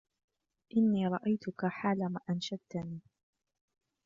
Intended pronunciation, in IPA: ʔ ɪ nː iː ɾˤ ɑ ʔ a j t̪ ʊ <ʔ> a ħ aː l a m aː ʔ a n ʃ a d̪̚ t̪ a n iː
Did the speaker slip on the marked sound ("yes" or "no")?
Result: yes